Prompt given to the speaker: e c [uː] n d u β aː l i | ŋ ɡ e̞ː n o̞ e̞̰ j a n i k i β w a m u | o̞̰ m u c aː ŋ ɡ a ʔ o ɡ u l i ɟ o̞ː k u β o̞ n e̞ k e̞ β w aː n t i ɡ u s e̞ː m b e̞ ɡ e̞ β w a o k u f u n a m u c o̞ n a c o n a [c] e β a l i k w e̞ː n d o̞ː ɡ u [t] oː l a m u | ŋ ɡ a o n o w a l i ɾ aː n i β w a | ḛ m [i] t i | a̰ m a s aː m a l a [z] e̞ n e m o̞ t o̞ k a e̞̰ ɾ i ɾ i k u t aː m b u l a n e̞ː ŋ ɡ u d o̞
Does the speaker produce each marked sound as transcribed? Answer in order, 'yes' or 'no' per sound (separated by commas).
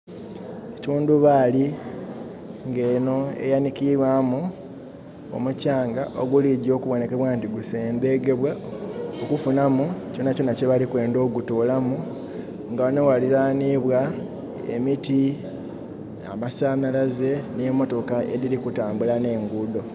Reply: yes, yes, yes, yes, yes